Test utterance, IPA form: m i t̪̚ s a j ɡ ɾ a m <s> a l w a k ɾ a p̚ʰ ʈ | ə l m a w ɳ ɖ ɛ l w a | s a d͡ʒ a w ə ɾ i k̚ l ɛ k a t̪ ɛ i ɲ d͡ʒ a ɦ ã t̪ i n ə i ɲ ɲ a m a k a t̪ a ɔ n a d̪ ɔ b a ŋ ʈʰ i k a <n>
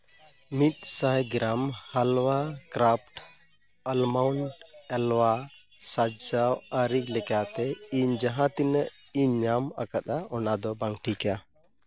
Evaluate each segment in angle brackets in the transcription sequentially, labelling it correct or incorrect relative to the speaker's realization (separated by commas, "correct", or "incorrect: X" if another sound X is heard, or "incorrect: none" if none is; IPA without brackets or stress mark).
incorrect: h, incorrect: none